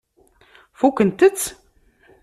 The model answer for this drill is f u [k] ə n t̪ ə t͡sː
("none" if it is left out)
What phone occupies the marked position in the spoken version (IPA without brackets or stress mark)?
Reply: k